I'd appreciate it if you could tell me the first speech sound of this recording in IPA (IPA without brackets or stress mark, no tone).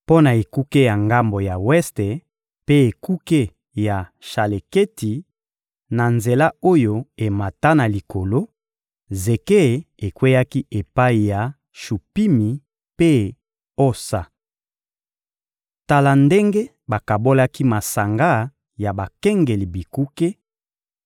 p